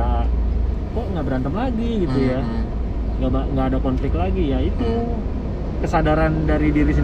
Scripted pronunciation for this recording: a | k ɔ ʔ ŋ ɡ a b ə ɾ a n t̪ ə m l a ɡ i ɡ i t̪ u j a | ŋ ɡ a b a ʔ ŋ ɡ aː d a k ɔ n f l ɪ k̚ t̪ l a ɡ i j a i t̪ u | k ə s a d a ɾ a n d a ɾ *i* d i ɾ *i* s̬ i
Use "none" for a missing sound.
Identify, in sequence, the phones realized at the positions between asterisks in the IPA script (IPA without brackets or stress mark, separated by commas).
i, i